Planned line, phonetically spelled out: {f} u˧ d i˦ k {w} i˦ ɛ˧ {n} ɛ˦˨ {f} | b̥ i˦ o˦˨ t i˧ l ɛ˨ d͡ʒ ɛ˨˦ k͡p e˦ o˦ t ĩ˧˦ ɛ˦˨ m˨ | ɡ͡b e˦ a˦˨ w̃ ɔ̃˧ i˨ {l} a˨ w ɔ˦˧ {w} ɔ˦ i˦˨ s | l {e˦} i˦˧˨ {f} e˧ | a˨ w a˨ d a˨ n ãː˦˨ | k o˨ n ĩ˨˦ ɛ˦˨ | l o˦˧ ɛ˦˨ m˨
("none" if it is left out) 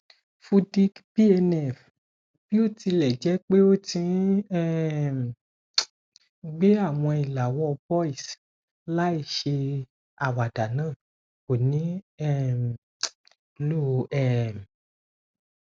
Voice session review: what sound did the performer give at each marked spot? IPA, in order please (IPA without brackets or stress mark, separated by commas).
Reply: f, b, n, f, l, b, a˦, ʃ